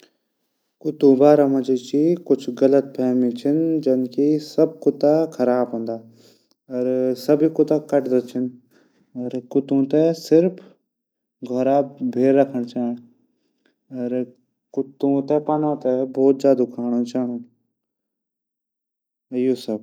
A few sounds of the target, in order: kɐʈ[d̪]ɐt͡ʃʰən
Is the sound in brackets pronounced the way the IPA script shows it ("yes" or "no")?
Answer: yes